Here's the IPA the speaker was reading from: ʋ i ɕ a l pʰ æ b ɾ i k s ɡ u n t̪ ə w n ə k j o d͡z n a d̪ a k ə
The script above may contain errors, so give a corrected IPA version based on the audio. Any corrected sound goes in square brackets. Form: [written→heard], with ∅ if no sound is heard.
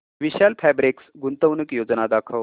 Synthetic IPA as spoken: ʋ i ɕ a l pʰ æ b ɾ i k s ɡ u n t̪ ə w n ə k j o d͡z n a d̪ a [k→kʰ] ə

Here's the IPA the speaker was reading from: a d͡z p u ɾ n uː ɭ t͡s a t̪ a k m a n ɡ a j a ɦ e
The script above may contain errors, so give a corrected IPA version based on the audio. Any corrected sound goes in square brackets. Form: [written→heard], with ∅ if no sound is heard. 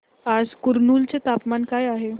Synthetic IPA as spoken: a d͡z [p→k] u ɾ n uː [ɭ→l] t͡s [a→e] t̪ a [k→p] m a n [ɡ→k] a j a ɦ e

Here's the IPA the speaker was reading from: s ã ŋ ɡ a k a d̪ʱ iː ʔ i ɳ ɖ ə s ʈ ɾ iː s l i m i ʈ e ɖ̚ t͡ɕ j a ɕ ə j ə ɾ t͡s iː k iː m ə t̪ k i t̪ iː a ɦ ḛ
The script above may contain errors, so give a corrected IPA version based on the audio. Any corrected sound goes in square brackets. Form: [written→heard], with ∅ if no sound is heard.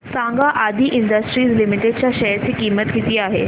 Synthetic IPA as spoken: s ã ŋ ɡ a [k→ʔ] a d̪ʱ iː ʔ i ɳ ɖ ə s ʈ ɾ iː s l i m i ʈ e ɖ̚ t͡ɕ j a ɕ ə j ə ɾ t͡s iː k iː m ə t̪ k i t̪ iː a ɦ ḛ

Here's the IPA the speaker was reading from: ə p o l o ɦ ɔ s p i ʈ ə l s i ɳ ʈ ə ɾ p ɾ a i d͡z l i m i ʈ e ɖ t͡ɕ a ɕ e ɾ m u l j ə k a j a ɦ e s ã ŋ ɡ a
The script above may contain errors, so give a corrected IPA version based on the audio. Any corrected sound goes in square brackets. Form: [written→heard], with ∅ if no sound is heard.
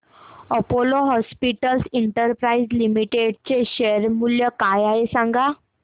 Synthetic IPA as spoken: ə p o l o ɦ ɔ s p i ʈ ə l s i ɳ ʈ ə ɾ p ɾ a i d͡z l i m i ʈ e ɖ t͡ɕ [a→e] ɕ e ɾ m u l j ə k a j a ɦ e s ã ŋ ɡ a

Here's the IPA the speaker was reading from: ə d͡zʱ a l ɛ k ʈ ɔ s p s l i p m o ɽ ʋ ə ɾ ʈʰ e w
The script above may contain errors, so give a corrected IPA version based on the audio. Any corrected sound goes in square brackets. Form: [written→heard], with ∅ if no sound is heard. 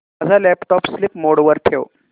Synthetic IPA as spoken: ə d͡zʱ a l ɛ [k→p] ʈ ɔ [s→∅] p s l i p m o ɽ ʋ ə ɾ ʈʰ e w

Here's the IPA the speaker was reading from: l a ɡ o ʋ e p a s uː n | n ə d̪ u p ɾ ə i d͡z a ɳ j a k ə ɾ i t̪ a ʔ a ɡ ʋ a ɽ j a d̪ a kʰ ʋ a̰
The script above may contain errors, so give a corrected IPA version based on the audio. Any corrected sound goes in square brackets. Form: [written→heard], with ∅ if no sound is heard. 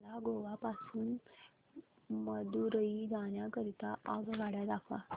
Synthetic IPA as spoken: l a ɡ o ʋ [e→a] p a s uː n | [n→m] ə d̪ u [p→∅] ɾ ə i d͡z a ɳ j a k ə ɾ i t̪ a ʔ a ɡ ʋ a ɽ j a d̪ a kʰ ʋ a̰

